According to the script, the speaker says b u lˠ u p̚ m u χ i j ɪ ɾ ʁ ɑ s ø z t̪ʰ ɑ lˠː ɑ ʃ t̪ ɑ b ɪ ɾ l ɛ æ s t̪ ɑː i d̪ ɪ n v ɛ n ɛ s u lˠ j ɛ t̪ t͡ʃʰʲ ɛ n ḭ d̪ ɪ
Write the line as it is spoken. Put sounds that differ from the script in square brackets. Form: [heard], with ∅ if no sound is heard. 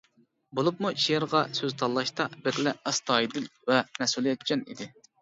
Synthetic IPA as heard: b [o] lˠ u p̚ m u [ʃ] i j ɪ ɾ ʁ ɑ s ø z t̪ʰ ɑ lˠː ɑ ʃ t̪ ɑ b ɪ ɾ l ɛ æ s t̪ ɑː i d̪ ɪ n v ɛ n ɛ s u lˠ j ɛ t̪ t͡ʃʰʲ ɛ n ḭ d̪ ɪ

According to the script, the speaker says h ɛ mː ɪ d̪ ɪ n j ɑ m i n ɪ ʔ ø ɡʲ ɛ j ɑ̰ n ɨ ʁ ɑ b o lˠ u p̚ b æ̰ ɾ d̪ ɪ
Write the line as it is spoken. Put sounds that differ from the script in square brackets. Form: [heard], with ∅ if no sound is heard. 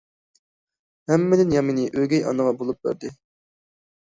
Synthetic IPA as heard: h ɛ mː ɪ d̪ ɪ n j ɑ m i n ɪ ʔ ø ɡʲ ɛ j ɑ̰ n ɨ ʁ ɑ b o lˠ u p̚ b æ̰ ɾ d̪ ɪ

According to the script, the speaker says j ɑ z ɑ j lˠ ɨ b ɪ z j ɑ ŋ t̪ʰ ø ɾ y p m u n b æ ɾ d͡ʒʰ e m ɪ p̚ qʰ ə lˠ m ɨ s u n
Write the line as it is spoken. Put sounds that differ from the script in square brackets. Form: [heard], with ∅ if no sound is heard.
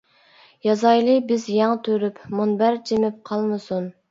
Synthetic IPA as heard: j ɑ z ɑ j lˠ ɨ b ɪ z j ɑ ŋ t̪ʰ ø ɾ y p m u n b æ ɾ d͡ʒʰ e m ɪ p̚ qʰ [ɑ] lˠ m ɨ s u n

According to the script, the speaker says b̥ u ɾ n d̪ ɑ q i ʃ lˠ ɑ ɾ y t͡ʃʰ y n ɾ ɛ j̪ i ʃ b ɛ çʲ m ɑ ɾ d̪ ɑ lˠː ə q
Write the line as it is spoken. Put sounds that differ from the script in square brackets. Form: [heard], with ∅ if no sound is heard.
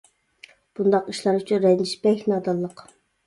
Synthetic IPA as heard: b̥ u [∅] n d̪ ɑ q i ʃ lˠ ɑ ɾ y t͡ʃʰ y n ɾ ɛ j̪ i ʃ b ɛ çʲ [n] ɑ [∅] d̪ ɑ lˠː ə q

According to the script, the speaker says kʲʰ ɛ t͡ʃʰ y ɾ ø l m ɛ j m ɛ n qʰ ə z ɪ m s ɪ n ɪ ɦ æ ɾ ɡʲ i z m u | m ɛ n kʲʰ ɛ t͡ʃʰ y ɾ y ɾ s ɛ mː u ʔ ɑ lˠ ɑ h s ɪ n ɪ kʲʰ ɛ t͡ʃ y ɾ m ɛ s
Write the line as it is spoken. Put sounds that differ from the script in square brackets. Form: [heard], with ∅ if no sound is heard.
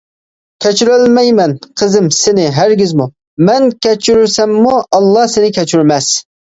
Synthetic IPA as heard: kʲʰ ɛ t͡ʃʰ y ɾ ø l m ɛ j m ɛ n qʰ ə z ɪ m s ɪ n ɪ ɦ æ ɾ ɡʲ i z m u | m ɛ n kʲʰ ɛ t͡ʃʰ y ɾ y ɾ s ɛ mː u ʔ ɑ [lˠː] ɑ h s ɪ n ɪ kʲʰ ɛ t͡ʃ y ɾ m ɛ s

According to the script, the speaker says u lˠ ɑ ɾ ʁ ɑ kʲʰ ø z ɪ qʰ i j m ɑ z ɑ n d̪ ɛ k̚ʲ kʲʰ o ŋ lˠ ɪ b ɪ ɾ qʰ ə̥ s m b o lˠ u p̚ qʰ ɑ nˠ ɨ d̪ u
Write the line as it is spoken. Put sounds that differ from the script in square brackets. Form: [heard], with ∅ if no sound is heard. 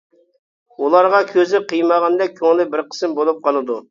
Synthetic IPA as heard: u lˠ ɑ ɾ ʁ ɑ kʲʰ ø z ɪ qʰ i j m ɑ [ʁ] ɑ n d̪ ɛ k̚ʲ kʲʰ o ŋ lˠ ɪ b ɪ ɾ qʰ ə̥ s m b o lˠ u p̚ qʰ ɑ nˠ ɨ d̪ u

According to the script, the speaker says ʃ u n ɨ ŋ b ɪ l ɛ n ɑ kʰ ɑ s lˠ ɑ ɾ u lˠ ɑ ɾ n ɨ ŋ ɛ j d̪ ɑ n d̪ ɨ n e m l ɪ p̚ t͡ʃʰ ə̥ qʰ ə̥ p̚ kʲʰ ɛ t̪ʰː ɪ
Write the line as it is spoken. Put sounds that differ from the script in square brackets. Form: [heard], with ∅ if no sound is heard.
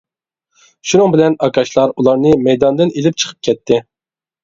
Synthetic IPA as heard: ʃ u n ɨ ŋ b ɪ l ɛ n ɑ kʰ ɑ [ʃ] lˠ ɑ ɾ u lˠ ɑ ɾ n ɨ [m] ɛ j d̪ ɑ n d̪ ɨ n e [∅] l ɪ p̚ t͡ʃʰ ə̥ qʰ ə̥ p̚ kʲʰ ɛ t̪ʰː ɪ

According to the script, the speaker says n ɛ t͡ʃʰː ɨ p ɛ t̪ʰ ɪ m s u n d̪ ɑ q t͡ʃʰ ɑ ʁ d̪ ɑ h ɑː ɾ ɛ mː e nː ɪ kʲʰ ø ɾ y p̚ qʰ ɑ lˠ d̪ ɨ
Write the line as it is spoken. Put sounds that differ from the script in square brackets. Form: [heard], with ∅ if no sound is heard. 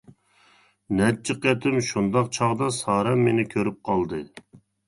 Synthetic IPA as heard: n ɛ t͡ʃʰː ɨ [q] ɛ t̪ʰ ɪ m [ʃ] u n d̪ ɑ q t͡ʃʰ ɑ ʁ d̪ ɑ [s] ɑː ɾ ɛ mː e [n] ɪ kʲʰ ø ɾ y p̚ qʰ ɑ lˠ d̪ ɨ

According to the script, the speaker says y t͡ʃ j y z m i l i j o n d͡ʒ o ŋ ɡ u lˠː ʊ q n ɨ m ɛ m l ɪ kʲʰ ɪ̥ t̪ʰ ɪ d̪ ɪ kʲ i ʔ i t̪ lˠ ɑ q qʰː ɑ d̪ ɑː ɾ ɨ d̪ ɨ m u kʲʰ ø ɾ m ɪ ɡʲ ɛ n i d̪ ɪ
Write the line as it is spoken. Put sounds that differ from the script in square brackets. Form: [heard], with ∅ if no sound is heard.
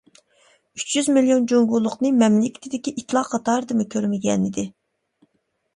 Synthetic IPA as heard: y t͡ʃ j y z m i l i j o n d͡ʒ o ŋ ɡ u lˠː ʊ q n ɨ m ɛ m l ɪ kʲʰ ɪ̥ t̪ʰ ɪ d̪ ɪ kʲ i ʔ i t̪ lˠ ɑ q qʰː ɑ [t̪] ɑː ɾ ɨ d̪ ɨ m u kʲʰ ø ɾ m ɪ ɡʲ ɛ n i d̪ ɪ

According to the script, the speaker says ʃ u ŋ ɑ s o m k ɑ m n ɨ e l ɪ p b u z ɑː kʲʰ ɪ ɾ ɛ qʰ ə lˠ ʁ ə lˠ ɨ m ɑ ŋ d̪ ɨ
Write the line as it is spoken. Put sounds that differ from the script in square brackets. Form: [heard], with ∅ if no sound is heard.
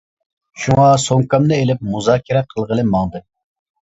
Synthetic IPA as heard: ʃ u ŋ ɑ s o [ŋ] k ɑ m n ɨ e l ɪ p [m] u z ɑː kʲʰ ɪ ɾ ɛ qʰ ə lˠ ʁ ə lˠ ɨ m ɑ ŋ d̪ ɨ

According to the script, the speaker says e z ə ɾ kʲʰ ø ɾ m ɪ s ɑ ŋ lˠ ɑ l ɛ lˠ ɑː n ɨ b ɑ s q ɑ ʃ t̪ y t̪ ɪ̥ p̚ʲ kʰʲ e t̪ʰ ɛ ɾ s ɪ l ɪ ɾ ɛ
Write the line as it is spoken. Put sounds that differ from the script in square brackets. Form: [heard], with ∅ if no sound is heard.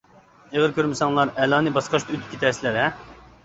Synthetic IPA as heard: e [ʁ] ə ɾ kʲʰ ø ɾ m ɪ s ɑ ŋ lˠ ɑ [ɾ] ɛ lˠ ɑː n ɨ b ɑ s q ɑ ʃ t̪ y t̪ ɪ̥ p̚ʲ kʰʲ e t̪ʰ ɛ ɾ s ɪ l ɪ ɾ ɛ

